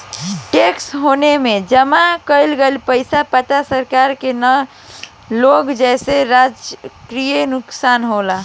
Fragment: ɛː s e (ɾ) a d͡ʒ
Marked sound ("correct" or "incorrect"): correct